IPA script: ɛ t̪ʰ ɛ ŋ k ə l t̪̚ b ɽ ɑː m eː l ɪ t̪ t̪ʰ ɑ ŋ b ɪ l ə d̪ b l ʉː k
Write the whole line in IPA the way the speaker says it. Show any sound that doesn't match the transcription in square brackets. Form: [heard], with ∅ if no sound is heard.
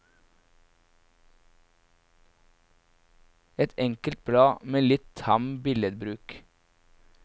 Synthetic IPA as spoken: ɛ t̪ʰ ɛ ŋ k ə l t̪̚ b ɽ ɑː m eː l ɪ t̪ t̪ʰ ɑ [m] b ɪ l ə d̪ b [ɾ] ʉː k